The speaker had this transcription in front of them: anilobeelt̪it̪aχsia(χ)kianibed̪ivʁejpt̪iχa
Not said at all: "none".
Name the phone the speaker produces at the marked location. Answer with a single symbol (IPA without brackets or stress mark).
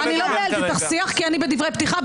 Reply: χ